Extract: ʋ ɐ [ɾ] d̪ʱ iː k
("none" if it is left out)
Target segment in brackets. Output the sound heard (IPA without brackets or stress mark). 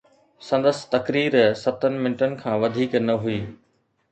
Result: none